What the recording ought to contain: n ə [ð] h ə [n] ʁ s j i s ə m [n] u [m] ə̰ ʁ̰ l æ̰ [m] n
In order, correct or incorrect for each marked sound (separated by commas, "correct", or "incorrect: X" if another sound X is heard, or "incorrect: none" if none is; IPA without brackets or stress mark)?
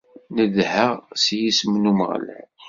correct, incorrect: none, correct, correct, incorrect: none